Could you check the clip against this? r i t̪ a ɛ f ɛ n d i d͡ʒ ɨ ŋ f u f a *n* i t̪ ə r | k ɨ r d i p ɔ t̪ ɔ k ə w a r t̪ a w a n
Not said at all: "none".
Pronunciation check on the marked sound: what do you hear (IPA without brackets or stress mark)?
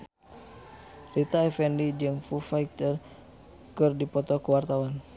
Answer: none